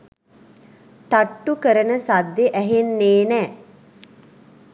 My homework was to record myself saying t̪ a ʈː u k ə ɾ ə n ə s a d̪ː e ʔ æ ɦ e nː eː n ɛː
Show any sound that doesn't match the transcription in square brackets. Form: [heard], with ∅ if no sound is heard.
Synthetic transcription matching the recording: t̪ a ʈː u k ə ɾ ə n ə s a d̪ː e ʔ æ ɦ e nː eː n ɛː